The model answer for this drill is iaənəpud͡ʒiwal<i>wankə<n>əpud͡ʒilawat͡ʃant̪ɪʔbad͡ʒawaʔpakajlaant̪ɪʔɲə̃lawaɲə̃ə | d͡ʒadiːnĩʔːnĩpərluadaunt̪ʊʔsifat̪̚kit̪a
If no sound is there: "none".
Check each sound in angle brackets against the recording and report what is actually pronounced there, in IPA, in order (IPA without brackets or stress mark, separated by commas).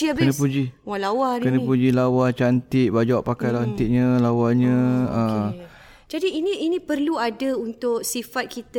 a, n